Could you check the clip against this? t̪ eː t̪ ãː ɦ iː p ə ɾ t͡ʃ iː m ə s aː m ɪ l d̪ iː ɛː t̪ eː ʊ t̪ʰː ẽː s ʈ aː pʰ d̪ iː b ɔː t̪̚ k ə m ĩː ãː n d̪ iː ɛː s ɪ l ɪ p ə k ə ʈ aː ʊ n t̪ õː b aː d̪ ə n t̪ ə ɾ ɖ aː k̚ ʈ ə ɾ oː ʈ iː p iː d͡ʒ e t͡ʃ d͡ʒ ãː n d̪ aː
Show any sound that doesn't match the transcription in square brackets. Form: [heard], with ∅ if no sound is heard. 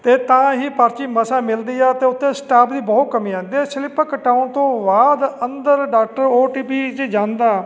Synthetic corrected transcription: t̪ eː t̪ ãː ɦ iː p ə ɾ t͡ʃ iː m ə s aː m ɪ l d̪ iː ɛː t̪ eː ʊ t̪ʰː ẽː s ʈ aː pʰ d̪ iː b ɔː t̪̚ k ə m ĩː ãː n d̪ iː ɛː s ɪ l ɪ p ə k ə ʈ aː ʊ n t̪ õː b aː d̪ ə n [d̪] ə ɾ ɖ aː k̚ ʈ ə ɾ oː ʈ iː p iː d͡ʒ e [∅] d͡ʒ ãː n d̪ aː